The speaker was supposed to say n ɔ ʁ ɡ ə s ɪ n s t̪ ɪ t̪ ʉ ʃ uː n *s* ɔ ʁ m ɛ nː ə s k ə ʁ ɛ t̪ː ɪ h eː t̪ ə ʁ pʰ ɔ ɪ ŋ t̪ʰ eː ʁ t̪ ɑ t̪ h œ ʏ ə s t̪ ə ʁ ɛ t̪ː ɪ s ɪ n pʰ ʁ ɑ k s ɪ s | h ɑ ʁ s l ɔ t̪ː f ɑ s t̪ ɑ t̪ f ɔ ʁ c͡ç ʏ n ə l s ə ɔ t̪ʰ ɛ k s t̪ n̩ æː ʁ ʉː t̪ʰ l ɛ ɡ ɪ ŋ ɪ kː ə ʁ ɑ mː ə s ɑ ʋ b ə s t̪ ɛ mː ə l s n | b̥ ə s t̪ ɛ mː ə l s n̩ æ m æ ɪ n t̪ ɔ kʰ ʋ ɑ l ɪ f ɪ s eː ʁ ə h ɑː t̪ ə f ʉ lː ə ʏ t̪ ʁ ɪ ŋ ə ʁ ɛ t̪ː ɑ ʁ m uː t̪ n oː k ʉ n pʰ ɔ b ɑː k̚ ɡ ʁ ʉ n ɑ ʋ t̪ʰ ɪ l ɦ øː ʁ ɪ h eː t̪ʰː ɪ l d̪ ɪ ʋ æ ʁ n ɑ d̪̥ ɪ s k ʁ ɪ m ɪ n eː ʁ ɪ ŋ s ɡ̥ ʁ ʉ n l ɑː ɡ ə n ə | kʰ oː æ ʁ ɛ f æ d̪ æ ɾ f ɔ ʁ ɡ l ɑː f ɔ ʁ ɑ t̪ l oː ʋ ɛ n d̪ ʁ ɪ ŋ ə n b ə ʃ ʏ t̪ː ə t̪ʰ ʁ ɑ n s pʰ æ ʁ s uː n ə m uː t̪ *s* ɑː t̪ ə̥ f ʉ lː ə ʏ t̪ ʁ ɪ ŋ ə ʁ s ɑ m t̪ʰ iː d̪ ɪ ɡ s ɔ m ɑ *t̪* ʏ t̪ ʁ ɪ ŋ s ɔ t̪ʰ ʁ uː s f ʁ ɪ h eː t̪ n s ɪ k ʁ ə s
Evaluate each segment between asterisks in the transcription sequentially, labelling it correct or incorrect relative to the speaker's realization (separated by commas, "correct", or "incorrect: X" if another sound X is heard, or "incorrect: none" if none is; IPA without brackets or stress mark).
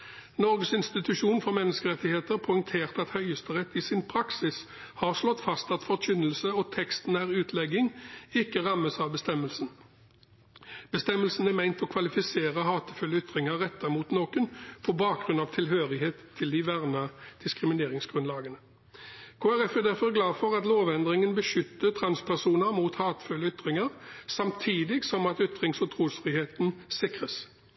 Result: incorrect: f, incorrect: h, correct